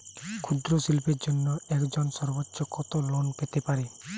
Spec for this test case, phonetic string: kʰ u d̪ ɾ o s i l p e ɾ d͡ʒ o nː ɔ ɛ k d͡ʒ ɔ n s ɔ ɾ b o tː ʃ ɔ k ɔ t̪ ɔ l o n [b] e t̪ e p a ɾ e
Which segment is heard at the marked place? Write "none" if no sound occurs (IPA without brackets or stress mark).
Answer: p